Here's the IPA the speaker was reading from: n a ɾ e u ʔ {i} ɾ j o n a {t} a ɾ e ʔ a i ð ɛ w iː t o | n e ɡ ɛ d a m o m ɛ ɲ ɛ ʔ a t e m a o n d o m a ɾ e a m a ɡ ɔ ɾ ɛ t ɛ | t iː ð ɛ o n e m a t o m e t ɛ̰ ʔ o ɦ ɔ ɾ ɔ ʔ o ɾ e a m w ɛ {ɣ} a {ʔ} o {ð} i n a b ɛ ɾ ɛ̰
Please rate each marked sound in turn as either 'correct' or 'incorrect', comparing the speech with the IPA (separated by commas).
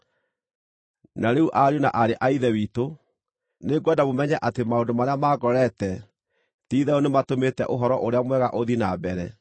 incorrect, incorrect, correct, correct, correct